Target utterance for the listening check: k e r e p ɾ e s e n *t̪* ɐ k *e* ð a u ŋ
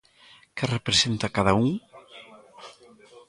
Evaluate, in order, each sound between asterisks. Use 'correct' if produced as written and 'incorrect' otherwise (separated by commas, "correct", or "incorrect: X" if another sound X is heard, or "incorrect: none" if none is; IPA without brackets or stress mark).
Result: correct, incorrect: a